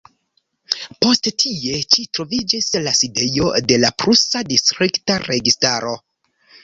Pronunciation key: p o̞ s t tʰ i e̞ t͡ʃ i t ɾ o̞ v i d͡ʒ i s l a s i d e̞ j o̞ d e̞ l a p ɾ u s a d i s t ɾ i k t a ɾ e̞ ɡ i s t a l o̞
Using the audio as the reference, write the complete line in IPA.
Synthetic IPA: p o̞ s t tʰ i e̞ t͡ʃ i t ɾ o̞ v i d͡ʒ i s l a s i d e̞ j o̞ d e̞ l a p ɾ u s a d i s t ɾ i k t a ɾ e̞ ɡ i s t a ɾ o̞